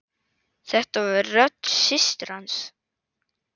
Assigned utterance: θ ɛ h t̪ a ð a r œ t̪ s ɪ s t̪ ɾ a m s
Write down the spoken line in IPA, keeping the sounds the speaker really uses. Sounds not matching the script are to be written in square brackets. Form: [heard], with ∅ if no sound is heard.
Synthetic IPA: θ ɛ h t̪ a [v] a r œ t̪ s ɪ s t̪ ɾ a [n] s

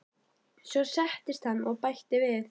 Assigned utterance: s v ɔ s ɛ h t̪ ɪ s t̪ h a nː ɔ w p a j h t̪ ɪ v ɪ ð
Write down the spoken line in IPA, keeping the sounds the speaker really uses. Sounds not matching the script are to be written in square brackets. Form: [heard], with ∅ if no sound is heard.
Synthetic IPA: s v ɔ s ɛ h t̪ ɪ s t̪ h a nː ɔ [ɣ] p a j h t̪ ɪ v ɪ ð

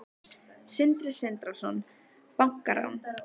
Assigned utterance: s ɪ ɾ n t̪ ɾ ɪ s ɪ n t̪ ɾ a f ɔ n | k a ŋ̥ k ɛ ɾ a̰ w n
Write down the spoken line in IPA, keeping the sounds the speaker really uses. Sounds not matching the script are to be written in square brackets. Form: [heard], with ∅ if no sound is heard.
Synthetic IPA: s ɪ [∅] n t̪ ɾ ɪ s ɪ n t̪ ɾ a [s] ɔ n | [p] a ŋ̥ k [a] ɾ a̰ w n

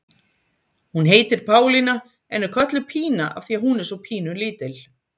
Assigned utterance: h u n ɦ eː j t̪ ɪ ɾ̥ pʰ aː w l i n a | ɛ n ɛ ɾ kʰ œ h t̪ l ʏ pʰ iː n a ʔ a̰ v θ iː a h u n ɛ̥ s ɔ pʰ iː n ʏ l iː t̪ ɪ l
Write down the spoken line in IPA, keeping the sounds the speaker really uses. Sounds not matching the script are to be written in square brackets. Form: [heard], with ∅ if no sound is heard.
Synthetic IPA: h u n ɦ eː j t̪ ɪ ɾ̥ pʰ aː w l i n a | ɛ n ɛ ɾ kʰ œ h t̪ l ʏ pʰ iː n a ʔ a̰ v θ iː a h u n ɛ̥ s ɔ pʰ iː n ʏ l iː t̪ ɪ l

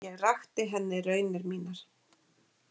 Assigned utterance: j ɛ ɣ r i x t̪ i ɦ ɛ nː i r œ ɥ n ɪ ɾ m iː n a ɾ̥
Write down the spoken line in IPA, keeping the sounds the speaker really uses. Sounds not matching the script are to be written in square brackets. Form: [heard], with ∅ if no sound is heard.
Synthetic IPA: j ɛ ɣ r [a] x t̪ [ɪ] ɦ ɛ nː [ɪ] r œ ɥ n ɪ ɾ m iː n a ɾ̥

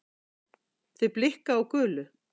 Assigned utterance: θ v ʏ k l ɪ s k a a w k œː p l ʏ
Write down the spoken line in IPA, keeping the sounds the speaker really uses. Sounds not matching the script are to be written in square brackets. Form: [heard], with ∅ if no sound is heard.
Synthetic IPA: θ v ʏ [p] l ɪ [h] k a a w k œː [∅] l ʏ

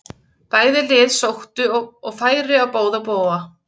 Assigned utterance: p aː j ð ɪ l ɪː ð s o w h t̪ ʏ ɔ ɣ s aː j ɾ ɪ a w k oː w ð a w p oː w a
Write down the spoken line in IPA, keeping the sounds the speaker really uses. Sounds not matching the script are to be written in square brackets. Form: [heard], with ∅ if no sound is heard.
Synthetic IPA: p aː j ð ɪ l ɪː ð s o w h t̪ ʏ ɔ ɣ [f] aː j ɾ ɪ a w [p] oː w ð a [∅] p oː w a

